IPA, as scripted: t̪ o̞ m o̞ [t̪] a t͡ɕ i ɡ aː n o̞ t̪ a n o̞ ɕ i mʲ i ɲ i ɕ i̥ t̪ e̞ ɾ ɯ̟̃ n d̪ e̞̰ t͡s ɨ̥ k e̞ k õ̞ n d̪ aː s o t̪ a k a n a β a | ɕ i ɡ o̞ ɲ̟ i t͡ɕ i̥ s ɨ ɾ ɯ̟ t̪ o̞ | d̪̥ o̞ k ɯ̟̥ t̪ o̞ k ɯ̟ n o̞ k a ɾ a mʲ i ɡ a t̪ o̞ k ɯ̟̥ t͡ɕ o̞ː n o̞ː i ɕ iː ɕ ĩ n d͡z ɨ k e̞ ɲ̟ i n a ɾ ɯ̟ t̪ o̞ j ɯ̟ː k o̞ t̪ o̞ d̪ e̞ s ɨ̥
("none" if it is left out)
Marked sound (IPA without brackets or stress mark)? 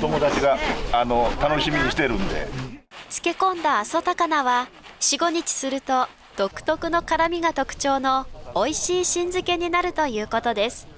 d̪